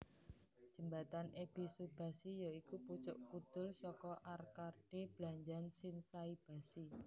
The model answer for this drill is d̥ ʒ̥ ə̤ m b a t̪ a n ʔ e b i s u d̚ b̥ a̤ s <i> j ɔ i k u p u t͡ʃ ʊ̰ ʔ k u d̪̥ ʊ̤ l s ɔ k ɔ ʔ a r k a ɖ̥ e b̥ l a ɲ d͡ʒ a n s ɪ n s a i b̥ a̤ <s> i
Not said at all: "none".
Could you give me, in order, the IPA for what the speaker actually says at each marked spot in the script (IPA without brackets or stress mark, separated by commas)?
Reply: i, s